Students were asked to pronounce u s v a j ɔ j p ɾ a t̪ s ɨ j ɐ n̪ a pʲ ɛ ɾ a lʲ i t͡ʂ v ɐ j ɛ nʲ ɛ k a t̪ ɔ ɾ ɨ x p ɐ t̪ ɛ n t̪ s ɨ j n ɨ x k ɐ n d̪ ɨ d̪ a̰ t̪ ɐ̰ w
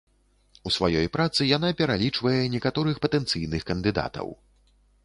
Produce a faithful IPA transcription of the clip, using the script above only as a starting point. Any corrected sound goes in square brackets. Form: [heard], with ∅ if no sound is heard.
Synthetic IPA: u s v a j ɔ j p ɾ a t̪ s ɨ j [a] n̪ a pʲ ɛ ɾ a lʲ i t͡ʂ v ɐ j ɛ nʲ ɛ k a t̪ ɔ ɾ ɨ x p ɐ t̪ ɛ n t̪ s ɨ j n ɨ x k ɐ n d̪ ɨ d̪ a̰ t̪ ɐ̰ w